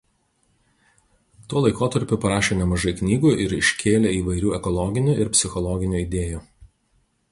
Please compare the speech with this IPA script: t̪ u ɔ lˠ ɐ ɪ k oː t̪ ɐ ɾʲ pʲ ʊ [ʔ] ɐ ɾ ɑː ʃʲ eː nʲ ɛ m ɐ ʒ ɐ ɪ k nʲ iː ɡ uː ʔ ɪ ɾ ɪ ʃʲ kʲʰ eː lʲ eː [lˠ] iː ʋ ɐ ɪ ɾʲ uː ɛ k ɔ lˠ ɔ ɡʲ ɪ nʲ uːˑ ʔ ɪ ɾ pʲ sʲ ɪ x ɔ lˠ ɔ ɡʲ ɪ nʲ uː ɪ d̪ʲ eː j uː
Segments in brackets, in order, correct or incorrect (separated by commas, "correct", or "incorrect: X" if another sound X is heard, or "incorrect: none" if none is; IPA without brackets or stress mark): incorrect: p, incorrect: none